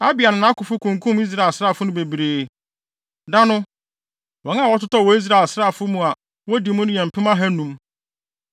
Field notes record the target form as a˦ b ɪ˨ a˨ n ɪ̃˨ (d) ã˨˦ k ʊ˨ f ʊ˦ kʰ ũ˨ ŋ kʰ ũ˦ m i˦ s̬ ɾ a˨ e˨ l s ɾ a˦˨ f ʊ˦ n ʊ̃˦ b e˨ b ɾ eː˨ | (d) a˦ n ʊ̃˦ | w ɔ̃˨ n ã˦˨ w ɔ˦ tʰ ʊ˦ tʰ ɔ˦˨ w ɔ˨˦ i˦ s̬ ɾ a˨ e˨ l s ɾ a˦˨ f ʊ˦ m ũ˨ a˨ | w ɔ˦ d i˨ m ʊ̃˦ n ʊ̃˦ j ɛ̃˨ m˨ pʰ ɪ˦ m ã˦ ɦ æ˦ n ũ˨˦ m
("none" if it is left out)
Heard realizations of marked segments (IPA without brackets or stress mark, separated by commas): n, d